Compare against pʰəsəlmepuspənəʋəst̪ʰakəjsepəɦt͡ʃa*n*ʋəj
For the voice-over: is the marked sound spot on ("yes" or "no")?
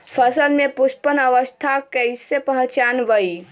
yes